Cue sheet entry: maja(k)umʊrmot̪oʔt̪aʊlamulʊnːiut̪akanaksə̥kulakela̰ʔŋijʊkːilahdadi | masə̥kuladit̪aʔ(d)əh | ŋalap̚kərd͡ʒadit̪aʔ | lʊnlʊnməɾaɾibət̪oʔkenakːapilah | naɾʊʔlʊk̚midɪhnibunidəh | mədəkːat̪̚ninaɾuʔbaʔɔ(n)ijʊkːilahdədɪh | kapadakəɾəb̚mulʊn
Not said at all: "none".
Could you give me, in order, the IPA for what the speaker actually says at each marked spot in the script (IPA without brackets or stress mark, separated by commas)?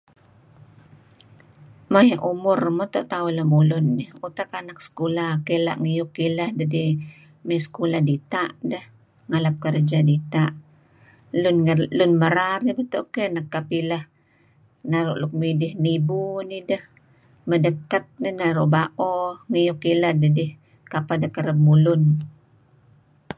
ʔ, d, ŋ